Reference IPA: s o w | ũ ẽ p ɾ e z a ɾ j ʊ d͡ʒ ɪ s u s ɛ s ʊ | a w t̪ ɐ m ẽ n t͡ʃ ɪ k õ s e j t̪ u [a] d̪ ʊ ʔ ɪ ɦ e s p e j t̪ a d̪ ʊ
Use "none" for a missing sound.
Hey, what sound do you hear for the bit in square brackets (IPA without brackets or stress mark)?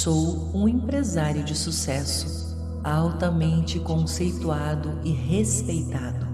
a